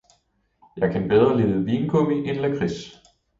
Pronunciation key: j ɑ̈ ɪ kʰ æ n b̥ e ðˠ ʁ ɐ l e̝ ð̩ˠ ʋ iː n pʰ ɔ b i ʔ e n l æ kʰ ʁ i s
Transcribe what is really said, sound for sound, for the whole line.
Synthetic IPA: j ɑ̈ ɪ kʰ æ n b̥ e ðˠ ʁ ɐ l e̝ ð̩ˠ ʋ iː n kʰ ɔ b i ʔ e n l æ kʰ ʁ i s